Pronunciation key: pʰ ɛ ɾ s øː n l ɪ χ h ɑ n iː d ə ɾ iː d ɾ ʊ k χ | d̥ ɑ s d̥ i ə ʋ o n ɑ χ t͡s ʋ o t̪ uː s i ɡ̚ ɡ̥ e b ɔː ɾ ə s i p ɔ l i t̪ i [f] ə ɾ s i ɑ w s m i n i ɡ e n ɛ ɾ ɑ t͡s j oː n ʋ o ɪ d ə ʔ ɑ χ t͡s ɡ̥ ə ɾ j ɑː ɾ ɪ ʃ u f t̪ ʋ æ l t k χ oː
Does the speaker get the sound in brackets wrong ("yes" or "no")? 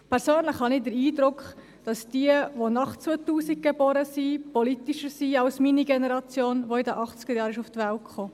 yes